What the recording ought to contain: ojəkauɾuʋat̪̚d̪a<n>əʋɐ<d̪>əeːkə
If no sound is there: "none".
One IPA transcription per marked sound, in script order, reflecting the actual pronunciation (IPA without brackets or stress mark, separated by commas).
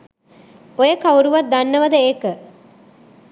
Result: nː, d̪